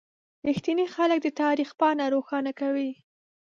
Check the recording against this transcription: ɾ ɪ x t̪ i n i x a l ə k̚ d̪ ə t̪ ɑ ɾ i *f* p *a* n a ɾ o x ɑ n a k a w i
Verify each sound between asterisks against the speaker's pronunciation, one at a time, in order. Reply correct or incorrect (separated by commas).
incorrect, incorrect